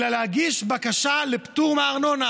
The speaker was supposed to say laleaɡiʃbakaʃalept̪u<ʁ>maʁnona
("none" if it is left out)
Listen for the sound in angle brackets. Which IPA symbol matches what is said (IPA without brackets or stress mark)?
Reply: ʁ